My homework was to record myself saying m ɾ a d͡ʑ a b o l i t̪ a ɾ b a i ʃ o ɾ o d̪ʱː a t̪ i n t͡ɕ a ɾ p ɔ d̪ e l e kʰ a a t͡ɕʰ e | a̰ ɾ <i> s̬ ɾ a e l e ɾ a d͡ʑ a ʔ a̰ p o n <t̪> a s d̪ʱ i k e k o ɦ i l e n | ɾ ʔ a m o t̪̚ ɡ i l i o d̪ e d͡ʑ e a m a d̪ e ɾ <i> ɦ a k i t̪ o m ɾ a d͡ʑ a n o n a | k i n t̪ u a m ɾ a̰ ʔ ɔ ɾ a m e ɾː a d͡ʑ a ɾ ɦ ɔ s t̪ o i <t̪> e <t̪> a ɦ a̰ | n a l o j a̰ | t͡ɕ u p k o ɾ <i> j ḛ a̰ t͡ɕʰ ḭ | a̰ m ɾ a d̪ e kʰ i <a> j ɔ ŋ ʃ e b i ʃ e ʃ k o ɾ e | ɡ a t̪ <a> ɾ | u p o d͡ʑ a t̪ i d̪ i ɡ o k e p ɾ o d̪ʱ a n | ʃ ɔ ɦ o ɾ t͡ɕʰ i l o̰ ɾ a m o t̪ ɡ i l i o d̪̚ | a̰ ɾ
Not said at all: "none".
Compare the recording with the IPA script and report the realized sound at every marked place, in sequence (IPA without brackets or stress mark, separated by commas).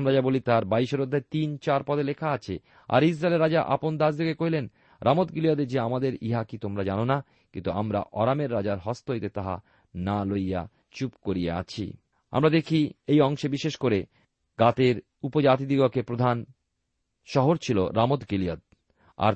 i, d̪, i, t̪, t̪, i, e, e